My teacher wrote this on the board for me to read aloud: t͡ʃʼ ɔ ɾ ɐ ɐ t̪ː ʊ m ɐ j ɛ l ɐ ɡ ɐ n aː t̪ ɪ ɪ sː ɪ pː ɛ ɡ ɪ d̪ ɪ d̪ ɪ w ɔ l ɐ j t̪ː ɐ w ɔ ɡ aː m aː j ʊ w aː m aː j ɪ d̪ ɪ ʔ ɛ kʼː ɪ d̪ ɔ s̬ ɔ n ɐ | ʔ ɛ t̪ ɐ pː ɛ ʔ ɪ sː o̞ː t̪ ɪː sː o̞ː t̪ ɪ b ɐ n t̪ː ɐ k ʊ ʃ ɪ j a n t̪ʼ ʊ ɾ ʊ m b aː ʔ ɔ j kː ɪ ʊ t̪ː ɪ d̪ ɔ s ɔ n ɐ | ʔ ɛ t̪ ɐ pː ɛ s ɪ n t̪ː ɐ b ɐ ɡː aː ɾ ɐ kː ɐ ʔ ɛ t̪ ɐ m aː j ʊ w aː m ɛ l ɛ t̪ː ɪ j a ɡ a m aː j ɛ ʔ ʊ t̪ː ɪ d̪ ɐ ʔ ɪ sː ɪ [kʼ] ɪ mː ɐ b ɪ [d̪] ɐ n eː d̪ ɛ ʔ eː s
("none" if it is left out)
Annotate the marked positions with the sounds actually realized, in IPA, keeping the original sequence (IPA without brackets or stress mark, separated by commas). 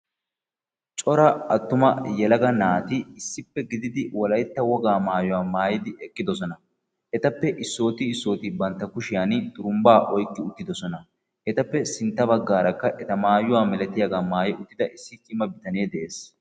kʼ, t̪